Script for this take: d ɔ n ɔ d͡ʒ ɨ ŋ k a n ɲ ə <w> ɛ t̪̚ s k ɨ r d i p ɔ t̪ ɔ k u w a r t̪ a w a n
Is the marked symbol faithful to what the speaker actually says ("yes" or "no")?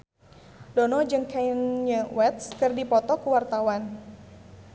yes